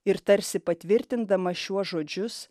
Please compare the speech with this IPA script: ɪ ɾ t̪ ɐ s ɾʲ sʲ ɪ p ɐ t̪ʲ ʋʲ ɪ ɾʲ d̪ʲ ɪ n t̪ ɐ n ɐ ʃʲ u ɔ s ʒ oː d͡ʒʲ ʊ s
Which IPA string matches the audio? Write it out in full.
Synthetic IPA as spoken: ɪ ɾ t̪ ɐ ɾʲ sʲ ɪ p ɐ t̪ʲ ʋʲ ɪ ɾʲ t̪ʲ ɪ n d̪ ɐ m ɐ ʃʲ u ɔ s ʒ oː d͡ʒʲ ʊ s